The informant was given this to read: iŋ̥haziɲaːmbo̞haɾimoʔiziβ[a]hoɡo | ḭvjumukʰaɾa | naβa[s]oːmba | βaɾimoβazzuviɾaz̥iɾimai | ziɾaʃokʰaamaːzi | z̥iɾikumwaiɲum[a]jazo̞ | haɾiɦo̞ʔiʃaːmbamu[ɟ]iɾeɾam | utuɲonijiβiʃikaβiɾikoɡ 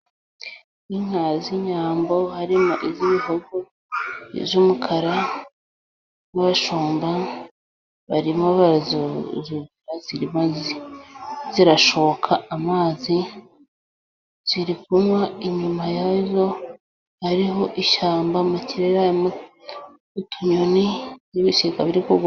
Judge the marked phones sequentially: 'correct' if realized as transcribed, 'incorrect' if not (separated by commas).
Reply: incorrect, incorrect, correct, incorrect